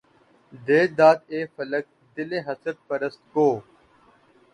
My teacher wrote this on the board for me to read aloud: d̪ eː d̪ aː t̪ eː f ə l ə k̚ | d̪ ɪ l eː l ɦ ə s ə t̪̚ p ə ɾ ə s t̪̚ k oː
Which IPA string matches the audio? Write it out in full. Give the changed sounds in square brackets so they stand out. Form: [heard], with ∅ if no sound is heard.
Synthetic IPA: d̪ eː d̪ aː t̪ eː f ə l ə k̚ | d̪ ɪ l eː [∅] ɦ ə s ə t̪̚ p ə ɾ ə s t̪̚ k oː

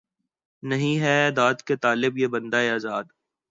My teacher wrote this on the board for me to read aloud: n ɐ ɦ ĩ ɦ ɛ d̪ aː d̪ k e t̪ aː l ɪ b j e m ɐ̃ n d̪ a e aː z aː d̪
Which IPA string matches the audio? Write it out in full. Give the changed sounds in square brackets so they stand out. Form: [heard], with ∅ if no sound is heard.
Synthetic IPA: n ɐ ɦ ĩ ɦ ɛ d̪ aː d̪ k e t̪ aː l ɪ b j e [b] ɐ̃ n d̪ a e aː z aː d̪

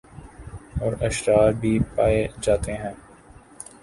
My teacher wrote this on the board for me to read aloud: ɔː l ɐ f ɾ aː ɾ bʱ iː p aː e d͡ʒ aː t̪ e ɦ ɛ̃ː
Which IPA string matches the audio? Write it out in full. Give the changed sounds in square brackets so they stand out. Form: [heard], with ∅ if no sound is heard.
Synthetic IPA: ɔː [ɾ] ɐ [ʃ] ɾ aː ɾ bʱ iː p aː e d͡ʒ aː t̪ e ɦ ɛ̃ː

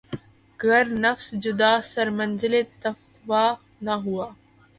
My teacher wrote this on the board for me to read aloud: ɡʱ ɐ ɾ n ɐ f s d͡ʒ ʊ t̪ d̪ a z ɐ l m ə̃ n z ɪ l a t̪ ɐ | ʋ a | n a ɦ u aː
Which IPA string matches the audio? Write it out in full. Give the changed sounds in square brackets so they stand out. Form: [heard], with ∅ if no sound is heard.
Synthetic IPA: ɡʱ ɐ ɾ n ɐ f s d͡ʒ ʊ [∅] d̪ a [s] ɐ [ɾ] m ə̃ n z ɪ l [e] t̪ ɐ | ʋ a | n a ɦ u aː

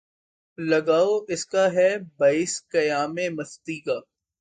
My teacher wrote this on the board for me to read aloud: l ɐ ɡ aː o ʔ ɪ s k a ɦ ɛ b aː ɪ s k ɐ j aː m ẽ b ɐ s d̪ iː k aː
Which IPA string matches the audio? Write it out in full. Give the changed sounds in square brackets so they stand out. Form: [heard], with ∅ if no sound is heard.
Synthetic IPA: l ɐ ɡ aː o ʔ ɪ s k a ɦ ɛ b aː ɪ s k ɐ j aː m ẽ [m] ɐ s [t̪] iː k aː

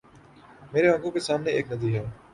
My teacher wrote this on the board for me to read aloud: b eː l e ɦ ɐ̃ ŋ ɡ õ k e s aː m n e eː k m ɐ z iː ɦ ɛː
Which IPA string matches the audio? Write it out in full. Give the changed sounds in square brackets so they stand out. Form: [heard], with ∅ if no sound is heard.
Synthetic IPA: [m] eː [ɾ] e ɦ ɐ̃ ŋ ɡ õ k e s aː m n e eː k [n] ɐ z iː ɦ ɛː

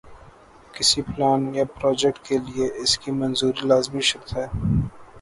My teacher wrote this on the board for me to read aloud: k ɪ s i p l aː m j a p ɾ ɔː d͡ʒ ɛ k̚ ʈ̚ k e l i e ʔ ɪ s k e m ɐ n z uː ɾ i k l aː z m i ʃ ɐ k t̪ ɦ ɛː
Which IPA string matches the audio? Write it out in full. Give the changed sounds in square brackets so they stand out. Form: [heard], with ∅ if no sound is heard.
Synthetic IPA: k ɪ s i p l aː [n] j a p ɾ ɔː d͡ʒ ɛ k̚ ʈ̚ k e l i e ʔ ɪ s k [i] m ɐ n z uː ɾ i [∅] l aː z m i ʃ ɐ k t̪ ɦ ɛː

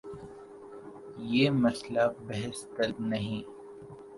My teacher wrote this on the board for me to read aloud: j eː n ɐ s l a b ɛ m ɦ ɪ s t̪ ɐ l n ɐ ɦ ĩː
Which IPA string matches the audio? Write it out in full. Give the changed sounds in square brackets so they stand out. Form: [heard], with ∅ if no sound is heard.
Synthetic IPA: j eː [m] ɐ s l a b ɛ [∅] ɦ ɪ s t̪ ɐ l n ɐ ɦ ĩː

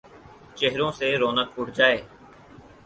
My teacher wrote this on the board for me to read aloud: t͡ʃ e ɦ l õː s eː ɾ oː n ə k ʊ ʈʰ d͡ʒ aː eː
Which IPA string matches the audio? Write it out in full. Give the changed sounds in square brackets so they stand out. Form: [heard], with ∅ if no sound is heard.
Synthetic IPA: t͡ʃ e ɦ [ɾ] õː s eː ɾ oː n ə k ʊ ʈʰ d͡ʒ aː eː

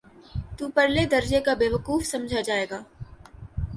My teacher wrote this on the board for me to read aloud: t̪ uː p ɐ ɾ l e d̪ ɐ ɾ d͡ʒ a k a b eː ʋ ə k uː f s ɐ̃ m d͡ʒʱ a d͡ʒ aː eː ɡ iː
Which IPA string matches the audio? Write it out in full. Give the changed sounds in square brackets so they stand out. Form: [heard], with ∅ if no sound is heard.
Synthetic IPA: t̪ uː p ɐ ɾ l e d̪ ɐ ɾ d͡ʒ [e] k a b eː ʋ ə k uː f s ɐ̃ m d͡ʒʱ a d͡ʒ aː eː ɡ [aː]

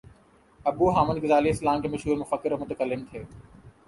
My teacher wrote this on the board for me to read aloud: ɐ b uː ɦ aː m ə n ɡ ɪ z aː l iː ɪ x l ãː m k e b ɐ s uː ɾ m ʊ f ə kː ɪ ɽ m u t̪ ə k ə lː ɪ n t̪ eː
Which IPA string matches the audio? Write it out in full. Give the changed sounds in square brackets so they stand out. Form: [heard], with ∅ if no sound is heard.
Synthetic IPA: ɐ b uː ɦ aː m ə n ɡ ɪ z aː l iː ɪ [s] l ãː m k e [m] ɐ [ʃ] uː ɾ m ʊ f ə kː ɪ [ɾ] m [ʊ] t̪ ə k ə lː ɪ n [t̪ʰ] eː

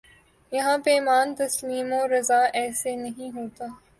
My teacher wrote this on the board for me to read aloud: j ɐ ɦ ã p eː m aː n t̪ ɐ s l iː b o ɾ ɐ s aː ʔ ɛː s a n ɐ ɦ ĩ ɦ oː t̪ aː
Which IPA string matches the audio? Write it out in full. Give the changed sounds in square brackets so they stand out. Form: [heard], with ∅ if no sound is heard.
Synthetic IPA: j ɐ ɦ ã p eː m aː n t̪ ɐ s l iː [m] o ɾ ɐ [z] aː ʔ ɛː s [e] n ɐ ɦ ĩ ɦ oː t̪ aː

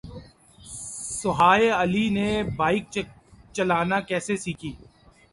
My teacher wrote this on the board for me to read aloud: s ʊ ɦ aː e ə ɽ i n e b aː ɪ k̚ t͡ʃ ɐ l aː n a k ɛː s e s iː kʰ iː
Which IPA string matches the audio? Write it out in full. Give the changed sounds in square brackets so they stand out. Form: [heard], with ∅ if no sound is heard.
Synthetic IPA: s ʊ ɦ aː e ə [l] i n e b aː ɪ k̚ t͡ʃ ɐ l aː n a k ɛː s e s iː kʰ iː

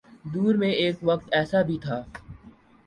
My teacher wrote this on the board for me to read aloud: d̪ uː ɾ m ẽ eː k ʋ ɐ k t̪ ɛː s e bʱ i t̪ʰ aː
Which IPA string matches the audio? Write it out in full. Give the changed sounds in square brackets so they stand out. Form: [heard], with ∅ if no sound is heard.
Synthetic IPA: d̪ uː ɾ m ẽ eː k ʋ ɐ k t̪ ɛː s [a] bʱ i t̪ʰ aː

